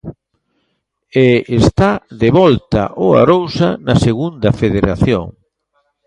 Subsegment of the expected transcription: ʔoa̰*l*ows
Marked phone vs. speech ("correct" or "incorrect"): incorrect